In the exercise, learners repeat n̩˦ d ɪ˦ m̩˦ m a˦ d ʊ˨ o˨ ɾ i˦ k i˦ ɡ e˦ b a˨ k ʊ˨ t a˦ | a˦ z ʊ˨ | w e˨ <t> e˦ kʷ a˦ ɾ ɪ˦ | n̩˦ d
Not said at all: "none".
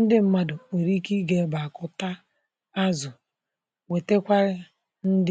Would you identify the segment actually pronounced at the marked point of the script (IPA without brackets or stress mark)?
t